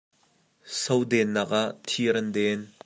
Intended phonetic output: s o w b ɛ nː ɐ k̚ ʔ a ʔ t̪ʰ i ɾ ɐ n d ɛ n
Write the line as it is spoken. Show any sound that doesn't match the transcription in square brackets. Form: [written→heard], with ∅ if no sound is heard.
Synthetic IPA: s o w [b→d] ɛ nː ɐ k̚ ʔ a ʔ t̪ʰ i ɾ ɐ n d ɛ n

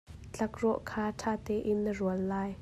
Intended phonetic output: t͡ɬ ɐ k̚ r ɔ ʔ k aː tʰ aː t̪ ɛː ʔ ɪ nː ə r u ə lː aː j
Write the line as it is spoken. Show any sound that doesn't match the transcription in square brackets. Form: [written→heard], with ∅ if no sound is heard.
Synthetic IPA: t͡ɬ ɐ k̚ r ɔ ʔ [k→kʰ] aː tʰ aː t̪ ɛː ʔ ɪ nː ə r u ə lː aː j

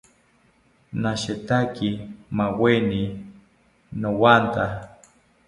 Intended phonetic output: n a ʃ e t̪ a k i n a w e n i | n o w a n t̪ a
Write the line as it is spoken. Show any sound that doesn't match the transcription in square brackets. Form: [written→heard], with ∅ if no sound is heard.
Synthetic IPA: n a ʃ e t̪ a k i [n→m] a w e n i | n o w a n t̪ a

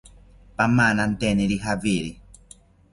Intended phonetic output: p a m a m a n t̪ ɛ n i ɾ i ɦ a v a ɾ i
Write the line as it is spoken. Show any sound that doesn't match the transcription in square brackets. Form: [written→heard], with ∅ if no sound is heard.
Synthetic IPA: p a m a [m→n] a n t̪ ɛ n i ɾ i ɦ a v [a→i] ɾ i

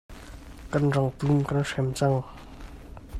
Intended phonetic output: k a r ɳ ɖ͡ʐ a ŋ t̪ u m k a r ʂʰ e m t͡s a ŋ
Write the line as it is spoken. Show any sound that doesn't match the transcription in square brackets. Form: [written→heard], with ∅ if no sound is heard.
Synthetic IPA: k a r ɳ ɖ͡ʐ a ŋ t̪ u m k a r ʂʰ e m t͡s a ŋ

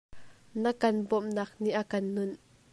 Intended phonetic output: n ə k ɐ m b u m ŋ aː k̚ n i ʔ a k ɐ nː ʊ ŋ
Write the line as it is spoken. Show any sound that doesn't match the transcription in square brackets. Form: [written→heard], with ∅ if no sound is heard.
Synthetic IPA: n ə k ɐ [m→n] b [u→ɔ] m [ŋ→n] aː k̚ n i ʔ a k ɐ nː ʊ [ŋ→n]

